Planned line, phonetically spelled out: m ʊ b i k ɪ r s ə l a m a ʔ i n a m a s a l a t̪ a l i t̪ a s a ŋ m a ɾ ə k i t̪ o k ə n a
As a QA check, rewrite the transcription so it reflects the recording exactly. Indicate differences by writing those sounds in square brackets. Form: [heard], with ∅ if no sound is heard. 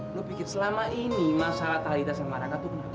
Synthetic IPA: [n] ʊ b i k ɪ r s ə l a m a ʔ i n [i] m a s a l a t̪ a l i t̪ a s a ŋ m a ɾ [a] k [a] t̪ [u] k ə n a